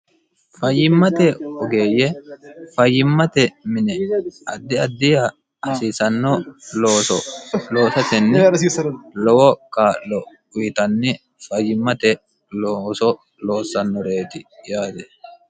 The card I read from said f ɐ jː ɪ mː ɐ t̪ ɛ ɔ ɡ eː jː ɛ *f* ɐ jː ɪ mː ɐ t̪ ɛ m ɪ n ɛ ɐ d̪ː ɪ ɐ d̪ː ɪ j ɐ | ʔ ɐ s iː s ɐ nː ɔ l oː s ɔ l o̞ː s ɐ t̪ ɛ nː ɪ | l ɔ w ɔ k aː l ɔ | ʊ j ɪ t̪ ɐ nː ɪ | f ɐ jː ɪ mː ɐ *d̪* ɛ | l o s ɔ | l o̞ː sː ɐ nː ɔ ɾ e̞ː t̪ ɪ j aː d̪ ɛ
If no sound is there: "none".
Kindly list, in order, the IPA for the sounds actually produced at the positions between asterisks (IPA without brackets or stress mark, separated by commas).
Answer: f, t̪